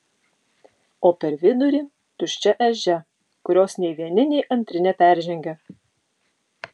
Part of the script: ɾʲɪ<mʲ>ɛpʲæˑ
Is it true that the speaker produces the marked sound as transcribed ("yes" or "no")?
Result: no